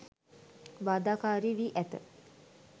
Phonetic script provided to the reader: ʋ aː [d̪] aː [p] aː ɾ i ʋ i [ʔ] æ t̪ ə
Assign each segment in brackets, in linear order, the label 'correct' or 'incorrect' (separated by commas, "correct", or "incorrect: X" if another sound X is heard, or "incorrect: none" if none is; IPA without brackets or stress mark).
correct, incorrect: k, correct